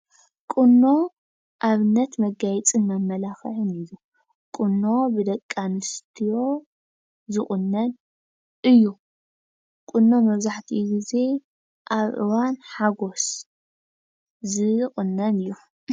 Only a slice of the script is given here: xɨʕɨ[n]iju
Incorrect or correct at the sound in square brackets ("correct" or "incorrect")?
correct